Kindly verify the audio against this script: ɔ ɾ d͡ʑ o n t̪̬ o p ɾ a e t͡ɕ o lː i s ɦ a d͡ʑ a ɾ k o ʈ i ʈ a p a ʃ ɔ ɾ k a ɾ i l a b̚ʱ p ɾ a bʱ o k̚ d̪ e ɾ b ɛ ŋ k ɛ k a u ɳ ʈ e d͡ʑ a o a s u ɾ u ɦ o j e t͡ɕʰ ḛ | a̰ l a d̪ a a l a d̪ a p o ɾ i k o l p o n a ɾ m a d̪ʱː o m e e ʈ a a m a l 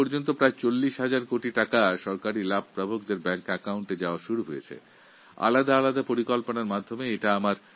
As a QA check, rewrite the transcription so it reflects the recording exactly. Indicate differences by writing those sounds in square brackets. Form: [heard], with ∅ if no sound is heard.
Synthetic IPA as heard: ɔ ɾ d͡ʑ o n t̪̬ o p ɾ a e t͡ɕ o lː i [ʃ] ɦ a d͡ʑ a ɾ k o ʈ i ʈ a [k] a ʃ ɔ ɾ k a ɾ i l a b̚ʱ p ɾ a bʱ o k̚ d̪ e ɾ b ɛ ŋ k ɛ k a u ɳ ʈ e d͡ʑ a o a [ʃ] u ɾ u ɦ o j e t͡ɕʰ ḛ | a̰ l a d̪ a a l a d̪ a p o ɾ i k o l p o n a ɾ m a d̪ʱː o m e e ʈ a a m a [ɾ]